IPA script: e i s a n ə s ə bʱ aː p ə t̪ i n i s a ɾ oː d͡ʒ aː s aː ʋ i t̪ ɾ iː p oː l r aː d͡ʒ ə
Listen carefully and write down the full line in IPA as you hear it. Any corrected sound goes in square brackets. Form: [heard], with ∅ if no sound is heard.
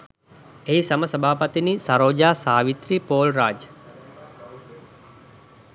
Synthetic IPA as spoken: e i s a [m] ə s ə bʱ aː p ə t̪ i n i s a ɾ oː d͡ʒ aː s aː ʋ i t̪ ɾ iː p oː l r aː d͡ʒ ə

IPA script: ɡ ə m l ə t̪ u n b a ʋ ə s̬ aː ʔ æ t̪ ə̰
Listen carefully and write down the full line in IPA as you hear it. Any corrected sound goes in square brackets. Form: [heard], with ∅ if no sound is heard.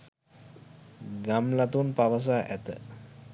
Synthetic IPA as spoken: ɡ [a] m l [a] t̪ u n [p] a ʋ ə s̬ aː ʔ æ t̪ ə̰

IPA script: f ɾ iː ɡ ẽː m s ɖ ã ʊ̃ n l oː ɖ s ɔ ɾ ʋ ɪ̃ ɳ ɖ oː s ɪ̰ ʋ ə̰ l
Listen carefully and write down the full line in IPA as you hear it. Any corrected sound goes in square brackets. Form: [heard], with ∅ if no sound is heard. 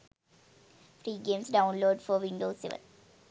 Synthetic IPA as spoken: f ɾ iː ɡ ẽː m s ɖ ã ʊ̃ n l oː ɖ [f] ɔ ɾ ʋ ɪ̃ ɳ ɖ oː s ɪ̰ ʋ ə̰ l

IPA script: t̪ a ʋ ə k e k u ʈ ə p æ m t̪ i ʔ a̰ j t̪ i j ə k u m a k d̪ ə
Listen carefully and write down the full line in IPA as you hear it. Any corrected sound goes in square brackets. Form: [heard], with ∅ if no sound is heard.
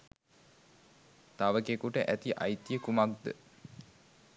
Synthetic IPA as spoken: t̪ a ʋ ə k e k u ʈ ə [ʔ] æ [∅] t̪ i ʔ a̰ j t̪ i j ə k u m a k d̪ ə

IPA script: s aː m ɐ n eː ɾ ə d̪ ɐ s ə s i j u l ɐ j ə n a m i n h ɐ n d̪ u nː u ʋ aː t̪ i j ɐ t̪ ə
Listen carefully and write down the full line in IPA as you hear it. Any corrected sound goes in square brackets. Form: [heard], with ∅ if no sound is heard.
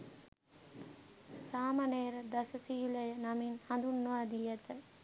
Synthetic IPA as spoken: s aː m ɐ n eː ɾ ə d̪ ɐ s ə s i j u l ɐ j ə n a m i n h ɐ n d̪ u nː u ʋ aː [d̪] i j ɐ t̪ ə

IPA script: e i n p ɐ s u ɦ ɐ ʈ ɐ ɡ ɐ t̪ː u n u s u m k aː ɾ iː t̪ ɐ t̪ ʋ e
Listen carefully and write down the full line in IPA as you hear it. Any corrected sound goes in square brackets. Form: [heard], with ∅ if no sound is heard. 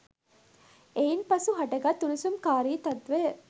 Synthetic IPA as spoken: e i n p ɐ s u ɦ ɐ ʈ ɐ ɡ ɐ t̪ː u n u s u m k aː ɾ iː t̪ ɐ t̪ ʋ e

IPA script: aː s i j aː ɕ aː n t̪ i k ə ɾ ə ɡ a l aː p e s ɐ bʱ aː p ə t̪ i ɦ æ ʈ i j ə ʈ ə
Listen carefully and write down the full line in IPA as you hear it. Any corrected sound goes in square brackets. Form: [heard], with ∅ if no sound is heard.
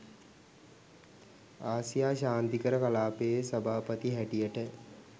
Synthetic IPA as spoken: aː s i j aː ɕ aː n t̪ i k ə ɾ ə [k] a l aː p e s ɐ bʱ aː p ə t̪ i ɦ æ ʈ i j ə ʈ ə

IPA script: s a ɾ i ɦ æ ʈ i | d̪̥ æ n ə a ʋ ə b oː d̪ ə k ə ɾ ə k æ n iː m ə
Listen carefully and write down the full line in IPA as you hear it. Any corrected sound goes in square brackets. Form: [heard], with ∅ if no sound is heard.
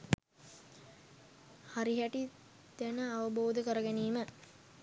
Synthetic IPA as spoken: [h] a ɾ i ɦ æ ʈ i | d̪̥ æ n ə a ʋ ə b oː d̪ ə k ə ɾ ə [ɡ] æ n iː m ə

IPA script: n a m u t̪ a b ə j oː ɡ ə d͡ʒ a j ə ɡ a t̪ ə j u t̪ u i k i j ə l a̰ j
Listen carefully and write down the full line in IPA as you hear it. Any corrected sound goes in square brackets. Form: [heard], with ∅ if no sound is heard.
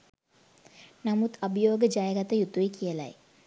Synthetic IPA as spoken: n a m u t̪ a b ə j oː ɡ ə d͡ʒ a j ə ɡ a t̪ ə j u t̪ u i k i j ə l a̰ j

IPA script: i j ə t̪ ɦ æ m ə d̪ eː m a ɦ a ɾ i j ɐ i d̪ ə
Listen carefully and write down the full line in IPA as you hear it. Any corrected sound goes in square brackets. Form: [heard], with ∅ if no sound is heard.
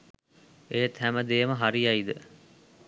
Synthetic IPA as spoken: [e] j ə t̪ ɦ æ m ə d̪ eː m [ə] ɦ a ɾ i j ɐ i d̪ ə

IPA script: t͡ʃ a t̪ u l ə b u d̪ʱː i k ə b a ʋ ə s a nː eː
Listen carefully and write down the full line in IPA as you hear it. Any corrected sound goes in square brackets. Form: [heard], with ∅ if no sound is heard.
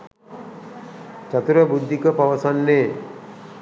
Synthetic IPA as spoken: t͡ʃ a t̪ u [ɾ] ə b u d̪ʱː i k ə [p] a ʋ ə s a nː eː

